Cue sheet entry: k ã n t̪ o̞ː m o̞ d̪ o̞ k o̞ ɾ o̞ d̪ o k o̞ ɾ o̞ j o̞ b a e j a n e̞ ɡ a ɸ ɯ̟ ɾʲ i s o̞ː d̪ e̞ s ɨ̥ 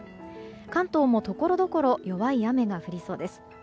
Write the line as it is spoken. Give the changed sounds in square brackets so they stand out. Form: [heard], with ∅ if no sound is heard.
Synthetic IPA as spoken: k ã n t̪ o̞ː m o̞ [t̪] o̞ k o̞ ɾ o̞ d̪ o k o̞ ɾ o̞ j o̞ [β] a [i] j a [m] e̞ ɡ a ɸ ɯ̟ ɾʲ i s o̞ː d̪ e̞ s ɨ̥